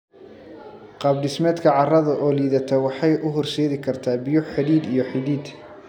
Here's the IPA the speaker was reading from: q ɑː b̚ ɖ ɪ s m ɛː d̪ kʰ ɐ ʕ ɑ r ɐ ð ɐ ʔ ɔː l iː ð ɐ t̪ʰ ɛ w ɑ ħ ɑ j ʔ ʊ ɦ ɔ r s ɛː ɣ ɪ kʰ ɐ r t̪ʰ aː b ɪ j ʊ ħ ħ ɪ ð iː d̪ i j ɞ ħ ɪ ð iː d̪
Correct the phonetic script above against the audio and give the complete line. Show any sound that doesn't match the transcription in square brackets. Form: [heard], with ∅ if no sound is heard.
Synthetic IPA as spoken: q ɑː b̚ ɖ ɪ s m ɛː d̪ kʰ ɐ ʕ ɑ r ɐ ð ɐ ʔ ɔː l iː ð ɐ t̪ʰ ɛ w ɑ ħ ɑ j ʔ ʊ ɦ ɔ r s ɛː [ð] ɪ kʰ ɐ r t̪ʰ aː b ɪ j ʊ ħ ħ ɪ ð iː d̪ i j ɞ ħ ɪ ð iː d̪